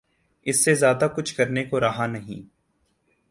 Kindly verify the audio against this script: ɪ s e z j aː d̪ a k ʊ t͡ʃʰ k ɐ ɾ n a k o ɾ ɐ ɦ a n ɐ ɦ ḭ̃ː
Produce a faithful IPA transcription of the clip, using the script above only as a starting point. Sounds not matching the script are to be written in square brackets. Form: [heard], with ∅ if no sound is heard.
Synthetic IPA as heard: ɪ [sː] e z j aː d̪ a k ʊ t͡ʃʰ k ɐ ɾ n [e] k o ɾ ɐ ɦ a n ɐ ɦ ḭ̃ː